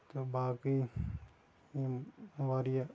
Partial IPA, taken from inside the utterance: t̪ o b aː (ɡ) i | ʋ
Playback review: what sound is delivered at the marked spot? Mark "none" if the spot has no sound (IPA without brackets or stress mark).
k